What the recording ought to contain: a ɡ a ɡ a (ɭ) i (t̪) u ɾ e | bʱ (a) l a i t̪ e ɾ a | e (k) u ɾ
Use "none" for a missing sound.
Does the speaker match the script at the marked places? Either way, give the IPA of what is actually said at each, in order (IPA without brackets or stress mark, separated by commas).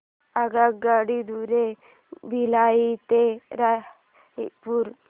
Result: ɽ, d̪, i, p